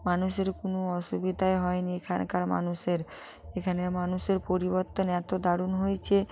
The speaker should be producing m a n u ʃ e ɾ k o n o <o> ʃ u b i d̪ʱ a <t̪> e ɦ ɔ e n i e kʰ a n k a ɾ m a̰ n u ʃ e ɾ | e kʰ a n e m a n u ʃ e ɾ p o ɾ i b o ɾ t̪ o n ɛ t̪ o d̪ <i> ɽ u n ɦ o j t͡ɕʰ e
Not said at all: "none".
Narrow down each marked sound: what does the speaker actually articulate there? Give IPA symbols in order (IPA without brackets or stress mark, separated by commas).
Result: ɔ, none, a